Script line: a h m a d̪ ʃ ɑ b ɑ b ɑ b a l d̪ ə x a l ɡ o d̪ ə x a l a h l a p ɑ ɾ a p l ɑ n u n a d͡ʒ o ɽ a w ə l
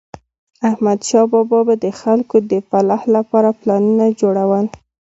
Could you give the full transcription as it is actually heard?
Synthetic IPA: a h m a d̪ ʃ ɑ b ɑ b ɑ b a d̪ ə x a l k o d̪ ə f a l a h l a p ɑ ɾ a p l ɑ n u n a d͡ʒ o ɽ a w ə l